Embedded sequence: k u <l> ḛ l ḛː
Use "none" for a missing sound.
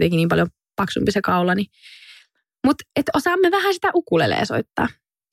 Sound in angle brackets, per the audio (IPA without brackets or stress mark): l